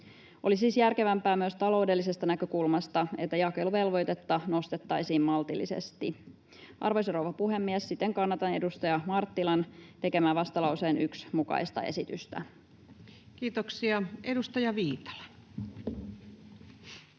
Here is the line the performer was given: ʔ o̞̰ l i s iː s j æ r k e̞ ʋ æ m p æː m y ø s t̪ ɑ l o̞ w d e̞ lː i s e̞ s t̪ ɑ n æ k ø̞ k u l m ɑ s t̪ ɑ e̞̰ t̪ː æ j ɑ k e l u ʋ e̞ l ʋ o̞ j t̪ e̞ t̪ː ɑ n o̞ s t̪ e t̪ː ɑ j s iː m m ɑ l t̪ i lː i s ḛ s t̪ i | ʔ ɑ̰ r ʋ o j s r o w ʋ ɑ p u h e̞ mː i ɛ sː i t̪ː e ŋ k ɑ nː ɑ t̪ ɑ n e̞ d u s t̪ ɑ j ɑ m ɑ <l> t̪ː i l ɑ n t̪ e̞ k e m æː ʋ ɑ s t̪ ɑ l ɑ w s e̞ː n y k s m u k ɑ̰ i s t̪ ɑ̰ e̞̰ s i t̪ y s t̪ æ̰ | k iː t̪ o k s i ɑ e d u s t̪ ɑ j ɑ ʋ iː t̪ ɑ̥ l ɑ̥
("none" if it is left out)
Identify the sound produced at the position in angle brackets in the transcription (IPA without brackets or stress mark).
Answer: r